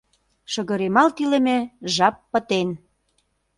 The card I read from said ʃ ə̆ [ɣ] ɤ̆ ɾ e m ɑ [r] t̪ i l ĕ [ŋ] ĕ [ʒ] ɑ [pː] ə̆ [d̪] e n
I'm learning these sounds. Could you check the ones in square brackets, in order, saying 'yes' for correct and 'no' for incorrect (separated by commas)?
yes, no, no, yes, yes, no